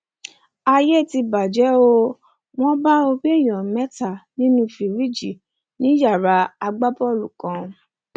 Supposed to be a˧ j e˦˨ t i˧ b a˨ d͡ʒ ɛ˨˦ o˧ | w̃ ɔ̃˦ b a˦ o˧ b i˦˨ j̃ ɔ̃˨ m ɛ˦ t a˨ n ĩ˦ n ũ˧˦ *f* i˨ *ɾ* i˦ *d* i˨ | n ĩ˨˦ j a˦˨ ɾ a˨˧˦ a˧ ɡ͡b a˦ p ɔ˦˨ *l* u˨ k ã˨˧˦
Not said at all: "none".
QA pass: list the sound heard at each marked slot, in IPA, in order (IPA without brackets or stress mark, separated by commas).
f, ɾ, d͡ʒ, l